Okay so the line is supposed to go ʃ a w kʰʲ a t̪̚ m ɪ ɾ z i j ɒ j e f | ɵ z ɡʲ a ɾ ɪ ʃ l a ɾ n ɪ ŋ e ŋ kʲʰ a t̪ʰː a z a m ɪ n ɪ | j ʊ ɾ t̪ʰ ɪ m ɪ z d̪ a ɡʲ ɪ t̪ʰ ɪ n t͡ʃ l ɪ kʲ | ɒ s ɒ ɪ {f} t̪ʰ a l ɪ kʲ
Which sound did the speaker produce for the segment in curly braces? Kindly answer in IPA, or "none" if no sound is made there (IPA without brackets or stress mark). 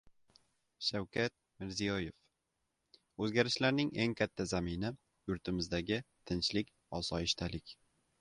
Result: ʃ